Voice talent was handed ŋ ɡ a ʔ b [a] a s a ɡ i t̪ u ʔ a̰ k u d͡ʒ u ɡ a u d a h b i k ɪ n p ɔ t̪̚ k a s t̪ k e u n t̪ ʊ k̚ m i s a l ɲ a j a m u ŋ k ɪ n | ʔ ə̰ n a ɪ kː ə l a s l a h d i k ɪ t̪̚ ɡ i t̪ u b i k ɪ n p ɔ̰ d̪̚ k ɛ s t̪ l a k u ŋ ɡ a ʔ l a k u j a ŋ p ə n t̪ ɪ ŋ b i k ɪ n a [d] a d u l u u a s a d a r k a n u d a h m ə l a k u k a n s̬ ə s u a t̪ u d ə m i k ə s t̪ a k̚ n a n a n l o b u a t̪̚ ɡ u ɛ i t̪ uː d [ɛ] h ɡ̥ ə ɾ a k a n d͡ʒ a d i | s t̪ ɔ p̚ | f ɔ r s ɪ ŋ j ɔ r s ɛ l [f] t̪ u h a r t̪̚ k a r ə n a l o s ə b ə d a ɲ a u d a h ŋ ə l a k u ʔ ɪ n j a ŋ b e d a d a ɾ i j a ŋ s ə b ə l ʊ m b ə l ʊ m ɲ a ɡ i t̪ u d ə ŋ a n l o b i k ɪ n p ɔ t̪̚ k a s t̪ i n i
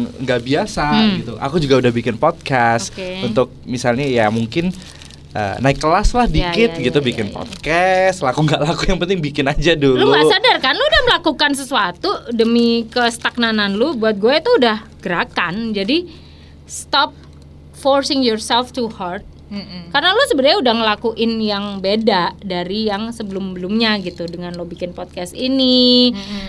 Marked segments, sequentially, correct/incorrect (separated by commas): incorrect, incorrect, incorrect, correct